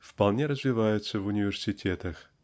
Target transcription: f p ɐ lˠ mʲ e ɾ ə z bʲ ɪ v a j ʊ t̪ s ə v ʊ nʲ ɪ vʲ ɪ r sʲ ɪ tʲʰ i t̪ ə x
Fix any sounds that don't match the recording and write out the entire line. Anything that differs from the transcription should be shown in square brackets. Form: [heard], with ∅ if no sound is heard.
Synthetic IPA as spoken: f p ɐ lˠ [nʲ] e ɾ ə z [vʲ] ɪ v a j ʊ t̪ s ə v ʊ nʲ ɪ vʲ ɪ r sʲ ɪ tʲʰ [e] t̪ ə x